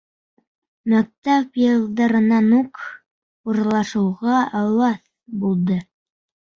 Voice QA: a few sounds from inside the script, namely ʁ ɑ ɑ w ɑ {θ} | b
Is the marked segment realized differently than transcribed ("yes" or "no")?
no